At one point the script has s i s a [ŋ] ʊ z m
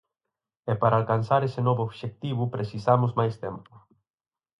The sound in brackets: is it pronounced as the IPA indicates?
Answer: no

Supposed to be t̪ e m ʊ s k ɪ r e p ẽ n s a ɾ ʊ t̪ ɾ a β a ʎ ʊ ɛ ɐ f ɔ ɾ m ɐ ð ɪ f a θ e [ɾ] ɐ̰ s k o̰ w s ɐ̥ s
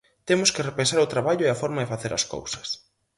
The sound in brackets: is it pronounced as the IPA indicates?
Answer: yes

